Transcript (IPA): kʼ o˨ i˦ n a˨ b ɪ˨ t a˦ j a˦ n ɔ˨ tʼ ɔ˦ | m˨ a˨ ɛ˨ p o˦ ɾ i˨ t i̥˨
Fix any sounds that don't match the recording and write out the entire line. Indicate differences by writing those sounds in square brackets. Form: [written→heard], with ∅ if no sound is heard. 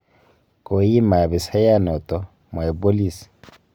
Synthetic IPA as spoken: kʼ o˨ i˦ [n→m] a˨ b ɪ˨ [t→s] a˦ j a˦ n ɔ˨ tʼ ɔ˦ | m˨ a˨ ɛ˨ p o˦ [ɾ→l] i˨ [t→s] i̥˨